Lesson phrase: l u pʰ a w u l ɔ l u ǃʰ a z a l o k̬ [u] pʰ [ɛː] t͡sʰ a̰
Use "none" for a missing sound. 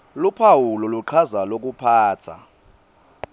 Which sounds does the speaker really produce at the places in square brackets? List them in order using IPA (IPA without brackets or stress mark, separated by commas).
u, aː